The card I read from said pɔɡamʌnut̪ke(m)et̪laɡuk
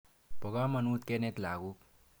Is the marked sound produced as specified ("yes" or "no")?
no